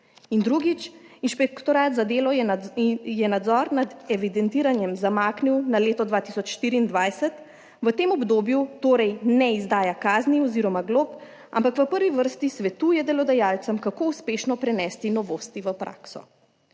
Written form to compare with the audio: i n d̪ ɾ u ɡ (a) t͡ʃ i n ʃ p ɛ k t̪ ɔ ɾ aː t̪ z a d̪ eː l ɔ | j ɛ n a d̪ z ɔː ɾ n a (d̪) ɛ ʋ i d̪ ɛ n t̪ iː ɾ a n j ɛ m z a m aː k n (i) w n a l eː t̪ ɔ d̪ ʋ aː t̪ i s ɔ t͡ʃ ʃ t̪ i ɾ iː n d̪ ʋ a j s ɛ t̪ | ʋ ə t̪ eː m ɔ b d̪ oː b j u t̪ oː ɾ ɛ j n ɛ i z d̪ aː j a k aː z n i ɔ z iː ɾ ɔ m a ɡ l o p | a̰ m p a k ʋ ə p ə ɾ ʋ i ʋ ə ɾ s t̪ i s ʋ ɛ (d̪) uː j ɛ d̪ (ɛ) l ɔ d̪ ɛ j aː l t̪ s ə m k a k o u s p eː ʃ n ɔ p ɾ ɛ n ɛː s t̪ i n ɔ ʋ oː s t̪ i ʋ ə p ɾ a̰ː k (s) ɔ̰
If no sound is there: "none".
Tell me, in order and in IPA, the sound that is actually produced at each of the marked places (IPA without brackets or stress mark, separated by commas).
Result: i, d̪, i, t̪, ɛ, s